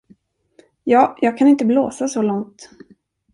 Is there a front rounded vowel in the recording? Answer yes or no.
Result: no